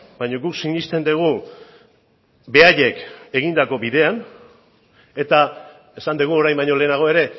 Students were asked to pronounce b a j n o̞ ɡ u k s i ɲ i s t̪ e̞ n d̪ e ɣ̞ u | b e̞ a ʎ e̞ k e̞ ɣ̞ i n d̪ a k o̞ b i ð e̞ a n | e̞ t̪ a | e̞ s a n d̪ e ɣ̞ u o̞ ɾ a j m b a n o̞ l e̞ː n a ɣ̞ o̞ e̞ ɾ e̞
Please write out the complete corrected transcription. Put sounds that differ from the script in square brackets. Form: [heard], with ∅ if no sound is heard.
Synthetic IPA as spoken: b a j [ɲ] o̞ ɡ u k s i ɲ i s t̪ e̞ n d̪ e ɣ̞ u | b e̞ a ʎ e̞ k e̞ ɣ̞ i n d̪ a k o̞ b i ð e̞ a n | e̞ t̪ a | e̞ s a n d̪ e ɣ̞ u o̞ ɾ a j m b a [ɲ] o̞ l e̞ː n a ɣ̞ o̞ e̞ ɾ e̞